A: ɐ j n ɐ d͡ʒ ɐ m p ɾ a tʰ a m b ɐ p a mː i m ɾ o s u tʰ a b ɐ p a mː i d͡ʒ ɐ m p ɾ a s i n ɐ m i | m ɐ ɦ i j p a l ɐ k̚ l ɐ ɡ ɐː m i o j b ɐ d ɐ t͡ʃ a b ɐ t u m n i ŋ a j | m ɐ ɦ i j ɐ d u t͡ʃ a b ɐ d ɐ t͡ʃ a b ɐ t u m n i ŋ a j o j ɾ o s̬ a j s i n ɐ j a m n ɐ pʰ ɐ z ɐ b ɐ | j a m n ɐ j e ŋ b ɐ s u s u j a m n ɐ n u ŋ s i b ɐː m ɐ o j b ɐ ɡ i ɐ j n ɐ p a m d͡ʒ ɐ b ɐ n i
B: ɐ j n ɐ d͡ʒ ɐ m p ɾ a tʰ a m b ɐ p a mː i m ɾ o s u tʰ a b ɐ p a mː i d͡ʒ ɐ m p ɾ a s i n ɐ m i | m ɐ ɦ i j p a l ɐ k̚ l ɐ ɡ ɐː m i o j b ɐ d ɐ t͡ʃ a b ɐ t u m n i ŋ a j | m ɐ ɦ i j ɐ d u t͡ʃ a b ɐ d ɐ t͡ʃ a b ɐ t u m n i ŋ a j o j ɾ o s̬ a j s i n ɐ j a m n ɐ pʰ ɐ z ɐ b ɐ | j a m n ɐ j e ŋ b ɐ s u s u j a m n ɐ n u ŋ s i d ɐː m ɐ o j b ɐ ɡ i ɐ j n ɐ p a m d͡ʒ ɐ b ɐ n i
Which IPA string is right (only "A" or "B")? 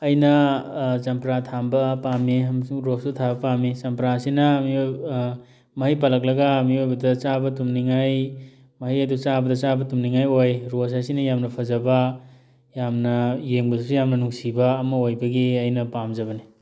A